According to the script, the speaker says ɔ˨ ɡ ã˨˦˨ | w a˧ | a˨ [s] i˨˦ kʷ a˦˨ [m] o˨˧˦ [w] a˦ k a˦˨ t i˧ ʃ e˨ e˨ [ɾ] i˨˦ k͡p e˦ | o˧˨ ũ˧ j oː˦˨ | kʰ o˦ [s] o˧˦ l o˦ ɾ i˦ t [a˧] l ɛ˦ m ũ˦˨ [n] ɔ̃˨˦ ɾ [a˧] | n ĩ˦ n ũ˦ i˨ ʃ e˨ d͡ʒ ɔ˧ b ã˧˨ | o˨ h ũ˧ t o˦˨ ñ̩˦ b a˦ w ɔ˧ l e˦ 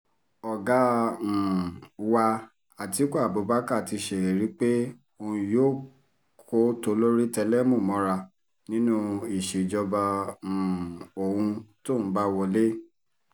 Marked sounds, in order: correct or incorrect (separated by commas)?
incorrect, incorrect, incorrect, correct, incorrect, incorrect, incorrect, correct